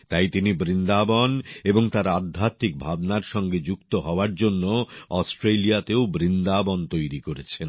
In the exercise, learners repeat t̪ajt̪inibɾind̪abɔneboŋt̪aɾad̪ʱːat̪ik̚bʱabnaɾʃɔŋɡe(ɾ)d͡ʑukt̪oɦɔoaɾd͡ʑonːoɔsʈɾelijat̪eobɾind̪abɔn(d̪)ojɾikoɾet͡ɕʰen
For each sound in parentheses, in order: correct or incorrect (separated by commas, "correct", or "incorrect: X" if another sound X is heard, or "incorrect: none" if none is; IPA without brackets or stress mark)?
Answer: incorrect: none, incorrect: t̪